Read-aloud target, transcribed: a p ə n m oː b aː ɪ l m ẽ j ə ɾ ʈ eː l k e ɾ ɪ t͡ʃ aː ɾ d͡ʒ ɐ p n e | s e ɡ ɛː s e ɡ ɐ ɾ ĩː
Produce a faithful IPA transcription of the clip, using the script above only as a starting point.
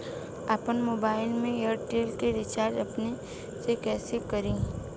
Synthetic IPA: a p ə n m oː b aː ɪ l m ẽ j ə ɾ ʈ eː l k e ɾ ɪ t͡ʃ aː ɾ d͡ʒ ɐ p n e | s e k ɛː s e k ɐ ɾ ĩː